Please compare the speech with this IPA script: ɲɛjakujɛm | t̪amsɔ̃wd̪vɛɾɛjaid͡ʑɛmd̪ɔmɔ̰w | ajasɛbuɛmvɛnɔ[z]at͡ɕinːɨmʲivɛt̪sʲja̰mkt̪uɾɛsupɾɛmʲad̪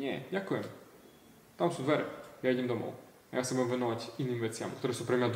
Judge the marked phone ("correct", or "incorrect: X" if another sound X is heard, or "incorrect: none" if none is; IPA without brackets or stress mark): incorrect: v